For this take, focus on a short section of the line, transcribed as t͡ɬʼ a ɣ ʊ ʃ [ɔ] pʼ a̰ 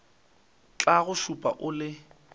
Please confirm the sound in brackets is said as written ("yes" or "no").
no